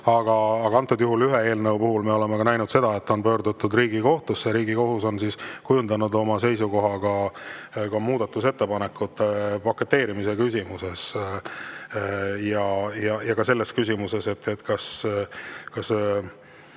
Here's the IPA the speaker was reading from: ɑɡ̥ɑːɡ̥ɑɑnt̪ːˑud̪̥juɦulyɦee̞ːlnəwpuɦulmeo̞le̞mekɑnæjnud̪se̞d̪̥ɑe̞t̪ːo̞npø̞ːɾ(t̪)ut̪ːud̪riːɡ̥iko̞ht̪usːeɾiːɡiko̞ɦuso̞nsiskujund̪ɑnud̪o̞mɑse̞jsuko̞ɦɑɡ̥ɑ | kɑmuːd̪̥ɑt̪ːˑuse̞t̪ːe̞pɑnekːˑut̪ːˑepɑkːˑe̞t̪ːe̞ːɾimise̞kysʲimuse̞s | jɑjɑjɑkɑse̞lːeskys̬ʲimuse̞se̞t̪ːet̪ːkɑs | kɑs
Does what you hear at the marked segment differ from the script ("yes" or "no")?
yes